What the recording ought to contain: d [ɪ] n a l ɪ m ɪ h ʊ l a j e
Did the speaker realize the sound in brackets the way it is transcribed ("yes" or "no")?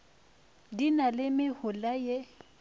no